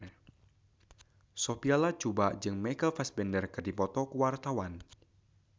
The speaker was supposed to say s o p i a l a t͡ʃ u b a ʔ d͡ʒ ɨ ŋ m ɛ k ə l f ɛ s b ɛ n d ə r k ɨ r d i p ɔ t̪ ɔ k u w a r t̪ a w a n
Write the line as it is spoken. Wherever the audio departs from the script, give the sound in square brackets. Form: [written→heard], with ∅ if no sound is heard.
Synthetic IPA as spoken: s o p i a l a t͡ʃ u b a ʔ d͡ʒ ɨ ŋ m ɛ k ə l f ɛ s b ɛ n d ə r k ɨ r d i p ɔ t̪ ɔ k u w a r t̪ a w a n